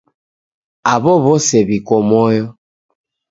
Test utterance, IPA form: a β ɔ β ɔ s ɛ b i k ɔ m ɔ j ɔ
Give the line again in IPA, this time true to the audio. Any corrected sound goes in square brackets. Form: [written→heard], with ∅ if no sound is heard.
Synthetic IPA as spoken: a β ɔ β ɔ s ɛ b i k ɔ m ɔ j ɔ